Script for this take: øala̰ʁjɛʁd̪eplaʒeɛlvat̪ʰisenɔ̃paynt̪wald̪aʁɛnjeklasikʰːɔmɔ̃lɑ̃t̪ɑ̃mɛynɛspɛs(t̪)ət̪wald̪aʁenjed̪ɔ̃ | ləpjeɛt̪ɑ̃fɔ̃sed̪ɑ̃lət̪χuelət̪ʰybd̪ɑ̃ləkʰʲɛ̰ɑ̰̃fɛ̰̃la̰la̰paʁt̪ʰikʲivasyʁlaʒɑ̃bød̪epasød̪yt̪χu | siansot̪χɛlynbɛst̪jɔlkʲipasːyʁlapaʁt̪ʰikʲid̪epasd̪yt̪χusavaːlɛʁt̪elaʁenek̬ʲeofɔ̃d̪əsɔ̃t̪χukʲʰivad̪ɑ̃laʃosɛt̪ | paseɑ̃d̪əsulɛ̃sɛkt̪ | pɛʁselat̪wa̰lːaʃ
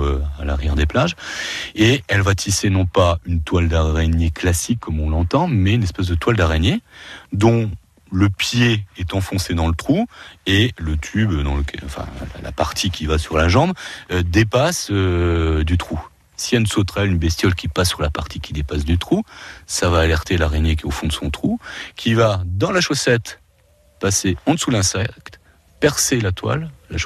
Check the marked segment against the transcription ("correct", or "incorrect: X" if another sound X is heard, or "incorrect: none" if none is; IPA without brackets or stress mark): incorrect: d̪